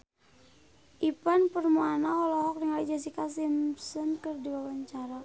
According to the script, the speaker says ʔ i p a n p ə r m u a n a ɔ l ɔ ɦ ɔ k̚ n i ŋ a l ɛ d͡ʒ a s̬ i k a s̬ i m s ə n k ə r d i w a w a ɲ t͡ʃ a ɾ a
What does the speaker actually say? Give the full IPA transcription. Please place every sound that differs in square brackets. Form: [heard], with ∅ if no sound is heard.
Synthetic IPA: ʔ i p a n p ə r m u a n a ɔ l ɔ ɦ ɔ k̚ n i ŋ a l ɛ d͡ʒ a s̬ i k a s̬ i m s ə n k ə r d i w a w a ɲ t͡ʃ a ɾ a

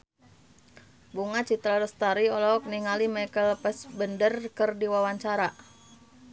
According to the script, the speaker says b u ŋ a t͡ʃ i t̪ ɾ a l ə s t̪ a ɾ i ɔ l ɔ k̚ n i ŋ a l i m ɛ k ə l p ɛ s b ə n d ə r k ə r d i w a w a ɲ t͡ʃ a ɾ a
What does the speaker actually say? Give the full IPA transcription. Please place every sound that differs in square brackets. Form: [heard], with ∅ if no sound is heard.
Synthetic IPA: b u ŋ a t͡ʃ i t̪ ɾ a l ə s t̪ a ɾ i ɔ l ɔ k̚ n i ŋ a l i m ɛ k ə l p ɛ s b ə n d ə r k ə r d i w a w a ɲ t͡ʃ a ɾ a

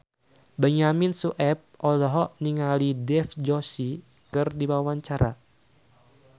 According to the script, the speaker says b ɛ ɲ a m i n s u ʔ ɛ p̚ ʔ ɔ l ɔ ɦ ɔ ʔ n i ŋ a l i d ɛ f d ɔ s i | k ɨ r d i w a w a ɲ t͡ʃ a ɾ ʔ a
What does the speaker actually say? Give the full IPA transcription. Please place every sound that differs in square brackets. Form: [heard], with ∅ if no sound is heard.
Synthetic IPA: b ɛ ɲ a m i n s u ʔ ɛ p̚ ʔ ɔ l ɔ ɦ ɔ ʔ n i ŋ a l i d ɛ f [d͡ʒ] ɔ s i | k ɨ r d i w a w a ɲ t͡ʃ a ɾ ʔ a

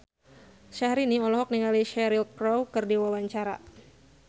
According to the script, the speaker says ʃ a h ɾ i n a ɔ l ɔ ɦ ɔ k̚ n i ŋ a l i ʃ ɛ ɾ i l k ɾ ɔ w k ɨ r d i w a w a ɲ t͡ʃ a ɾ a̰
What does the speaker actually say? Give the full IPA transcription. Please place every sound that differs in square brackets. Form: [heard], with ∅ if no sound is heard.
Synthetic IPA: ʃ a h ɾ i n [i] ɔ l ɔ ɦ ɔ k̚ n i ŋ a l i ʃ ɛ ɾ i l k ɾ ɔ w k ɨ r d i w a w a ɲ t͡ʃ a ɾ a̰

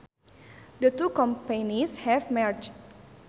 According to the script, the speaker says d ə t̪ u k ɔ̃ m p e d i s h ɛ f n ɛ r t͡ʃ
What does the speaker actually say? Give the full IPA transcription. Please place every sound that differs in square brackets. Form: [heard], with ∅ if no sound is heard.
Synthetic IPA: d ə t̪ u k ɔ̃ m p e [n] i s h ɛ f [m] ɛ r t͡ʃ

